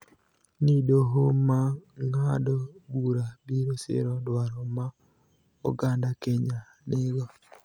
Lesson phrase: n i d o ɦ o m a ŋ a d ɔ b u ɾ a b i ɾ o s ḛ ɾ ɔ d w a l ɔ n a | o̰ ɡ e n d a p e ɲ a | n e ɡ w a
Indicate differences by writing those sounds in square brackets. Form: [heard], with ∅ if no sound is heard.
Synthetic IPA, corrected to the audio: n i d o ɦ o m a ŋ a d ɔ b u ɾ a b i ɾ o s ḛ ɾ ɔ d w a [ɾ] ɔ [m] a | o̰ ɡ [a] n d a [k] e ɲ a | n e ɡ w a

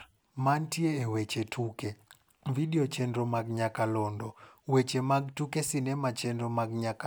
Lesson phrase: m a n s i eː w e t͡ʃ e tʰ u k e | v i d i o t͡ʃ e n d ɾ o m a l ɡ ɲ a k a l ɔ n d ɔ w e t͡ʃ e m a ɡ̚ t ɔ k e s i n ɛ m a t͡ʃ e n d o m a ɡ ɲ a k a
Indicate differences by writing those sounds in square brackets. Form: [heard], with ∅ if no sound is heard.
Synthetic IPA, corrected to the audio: m a n [t] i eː w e t͡ʃ e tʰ u k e | v i d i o t͡ʃ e n d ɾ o m a [∅] ɡ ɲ a k a l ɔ n d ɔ w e t͡ʃ e m a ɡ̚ t [u] k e s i n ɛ m a t͡ʃ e n d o m a ɡ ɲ a k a

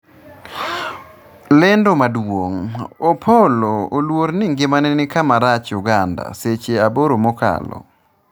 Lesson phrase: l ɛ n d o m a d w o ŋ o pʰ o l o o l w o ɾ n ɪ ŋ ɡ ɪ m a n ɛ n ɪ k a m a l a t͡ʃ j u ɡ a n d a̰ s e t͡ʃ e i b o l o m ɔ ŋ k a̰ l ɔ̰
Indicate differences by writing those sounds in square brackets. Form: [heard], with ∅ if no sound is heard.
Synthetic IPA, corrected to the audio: l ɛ n d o m a d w o ŋ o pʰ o l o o l w o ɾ n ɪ ŋ ɡ ɪ m a n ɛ n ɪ k a m a [ɾ] a t͡ʃ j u ɡ a n d a̰ s e t͡ʃ e [a] b o [ɾ] o m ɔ [∅] k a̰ l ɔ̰

